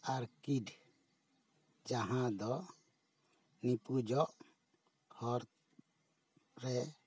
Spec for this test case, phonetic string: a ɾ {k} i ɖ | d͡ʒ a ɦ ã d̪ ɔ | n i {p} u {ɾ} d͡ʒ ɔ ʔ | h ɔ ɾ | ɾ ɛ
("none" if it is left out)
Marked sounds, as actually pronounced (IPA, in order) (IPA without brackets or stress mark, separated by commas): k, p, none